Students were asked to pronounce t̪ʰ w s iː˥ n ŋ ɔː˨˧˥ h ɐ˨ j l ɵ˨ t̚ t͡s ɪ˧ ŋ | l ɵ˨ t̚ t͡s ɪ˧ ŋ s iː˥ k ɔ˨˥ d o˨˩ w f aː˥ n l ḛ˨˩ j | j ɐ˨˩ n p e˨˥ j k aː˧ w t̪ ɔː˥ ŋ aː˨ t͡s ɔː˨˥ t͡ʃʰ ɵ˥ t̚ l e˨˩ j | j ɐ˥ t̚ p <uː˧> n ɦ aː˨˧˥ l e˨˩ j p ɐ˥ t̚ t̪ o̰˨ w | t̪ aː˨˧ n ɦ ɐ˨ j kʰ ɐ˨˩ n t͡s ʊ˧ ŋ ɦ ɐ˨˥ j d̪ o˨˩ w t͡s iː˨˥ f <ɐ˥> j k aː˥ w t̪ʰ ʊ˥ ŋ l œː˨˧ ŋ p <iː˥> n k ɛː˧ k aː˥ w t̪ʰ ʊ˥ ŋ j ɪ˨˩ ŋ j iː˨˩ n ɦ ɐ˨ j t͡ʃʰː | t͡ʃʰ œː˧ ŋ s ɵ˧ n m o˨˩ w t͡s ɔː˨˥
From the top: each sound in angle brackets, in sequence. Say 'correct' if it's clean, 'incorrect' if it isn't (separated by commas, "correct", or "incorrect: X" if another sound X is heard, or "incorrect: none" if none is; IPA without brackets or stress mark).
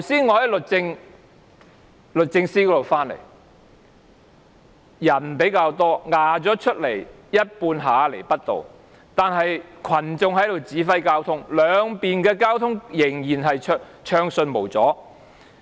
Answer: correct, correct, incorrect: iː˨